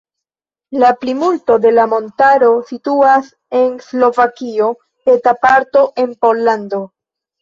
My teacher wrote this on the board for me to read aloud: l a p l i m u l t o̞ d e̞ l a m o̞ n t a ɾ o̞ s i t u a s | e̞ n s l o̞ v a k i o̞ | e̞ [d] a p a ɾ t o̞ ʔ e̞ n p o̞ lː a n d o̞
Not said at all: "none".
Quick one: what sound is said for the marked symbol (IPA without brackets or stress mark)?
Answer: t